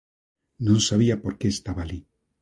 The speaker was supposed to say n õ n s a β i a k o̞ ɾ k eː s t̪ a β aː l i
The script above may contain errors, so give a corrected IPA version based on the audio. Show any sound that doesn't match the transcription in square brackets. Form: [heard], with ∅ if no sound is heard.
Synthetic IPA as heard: n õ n s a β i a [p] o̞ ɾ k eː s t̪ a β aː l i